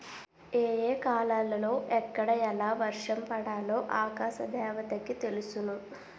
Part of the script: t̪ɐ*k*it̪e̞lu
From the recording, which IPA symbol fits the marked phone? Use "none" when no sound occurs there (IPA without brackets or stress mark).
k